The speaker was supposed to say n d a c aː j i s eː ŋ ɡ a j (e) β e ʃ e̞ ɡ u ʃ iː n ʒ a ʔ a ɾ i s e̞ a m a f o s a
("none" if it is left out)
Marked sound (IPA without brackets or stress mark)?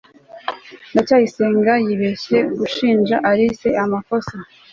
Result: i